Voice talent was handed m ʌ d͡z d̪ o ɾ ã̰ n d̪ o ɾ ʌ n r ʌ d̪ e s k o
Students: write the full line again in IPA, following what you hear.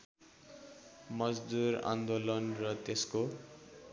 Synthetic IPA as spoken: m ʌ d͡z d̪ u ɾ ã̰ n d̪ o l ʌ n r ʌ t̪ e s k o